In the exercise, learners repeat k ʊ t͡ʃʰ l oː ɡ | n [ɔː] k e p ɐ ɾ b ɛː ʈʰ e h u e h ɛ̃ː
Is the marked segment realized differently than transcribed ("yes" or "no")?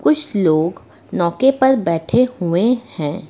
no